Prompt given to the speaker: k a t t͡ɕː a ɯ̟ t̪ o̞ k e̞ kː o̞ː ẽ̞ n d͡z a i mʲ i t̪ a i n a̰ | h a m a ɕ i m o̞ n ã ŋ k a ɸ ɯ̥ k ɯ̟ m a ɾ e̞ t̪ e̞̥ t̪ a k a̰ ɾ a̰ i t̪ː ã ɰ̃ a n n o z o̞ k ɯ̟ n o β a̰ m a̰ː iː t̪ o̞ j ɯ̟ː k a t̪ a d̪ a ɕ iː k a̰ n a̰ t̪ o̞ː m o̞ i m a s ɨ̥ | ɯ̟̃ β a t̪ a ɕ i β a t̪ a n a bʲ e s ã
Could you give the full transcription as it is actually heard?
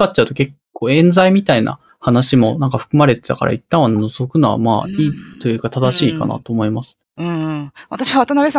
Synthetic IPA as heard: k a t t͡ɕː a ɯ̟ t̪ o̞ k e̞ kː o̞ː ẽ̞ n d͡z a i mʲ i t̪ a i n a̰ | h a n a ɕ i m o̞ n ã ŋ k a ɸ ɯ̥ k ɯ̟ m a ɾ e̞ t̪ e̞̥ t̪ a k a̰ ɾ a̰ i t̪ː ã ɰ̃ a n n o z o̞ k ɯ̟ n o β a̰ m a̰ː iː t̪ o̞ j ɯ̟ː k a t̪ a d̪ a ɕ iː k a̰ n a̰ t̪ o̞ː m o̞ i m a s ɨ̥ | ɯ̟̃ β a t̪ a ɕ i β a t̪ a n a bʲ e s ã